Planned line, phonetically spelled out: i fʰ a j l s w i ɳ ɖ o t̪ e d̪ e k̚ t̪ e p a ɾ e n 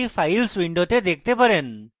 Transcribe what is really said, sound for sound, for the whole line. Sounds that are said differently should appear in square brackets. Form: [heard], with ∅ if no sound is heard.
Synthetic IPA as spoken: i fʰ a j l s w i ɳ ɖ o t̪ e d̪ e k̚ t̪ e p a ɾ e n